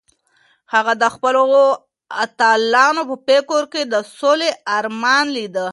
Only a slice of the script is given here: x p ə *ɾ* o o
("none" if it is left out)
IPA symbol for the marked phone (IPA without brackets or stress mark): l